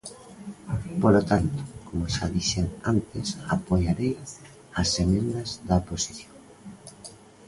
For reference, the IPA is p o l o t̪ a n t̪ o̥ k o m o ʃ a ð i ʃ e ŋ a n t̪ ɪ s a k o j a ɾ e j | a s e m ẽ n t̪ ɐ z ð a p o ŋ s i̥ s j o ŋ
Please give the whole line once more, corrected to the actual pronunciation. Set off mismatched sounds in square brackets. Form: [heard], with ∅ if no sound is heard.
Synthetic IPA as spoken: p o l o t̪ a n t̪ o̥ k o m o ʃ a ð i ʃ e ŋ a n t̪ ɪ s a [p] o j a ɾ e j | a s e m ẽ n [d̪] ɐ z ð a p o [∅] s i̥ [θ] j o ŋ